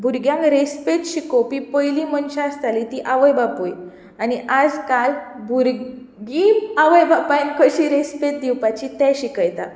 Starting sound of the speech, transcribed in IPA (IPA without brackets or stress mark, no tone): bʱ